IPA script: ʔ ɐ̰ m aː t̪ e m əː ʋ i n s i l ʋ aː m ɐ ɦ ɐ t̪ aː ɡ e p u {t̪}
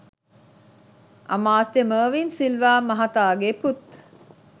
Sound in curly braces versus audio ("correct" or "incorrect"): correct